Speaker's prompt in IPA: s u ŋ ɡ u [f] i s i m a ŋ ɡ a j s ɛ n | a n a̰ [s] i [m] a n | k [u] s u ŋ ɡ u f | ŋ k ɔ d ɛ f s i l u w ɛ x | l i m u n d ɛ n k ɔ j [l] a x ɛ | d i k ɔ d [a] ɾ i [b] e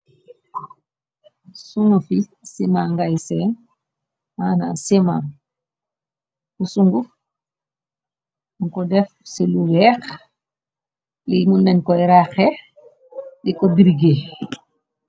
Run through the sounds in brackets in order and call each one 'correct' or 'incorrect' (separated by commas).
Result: correct, correct, correct, correct, incorrect, incorrect, incorrect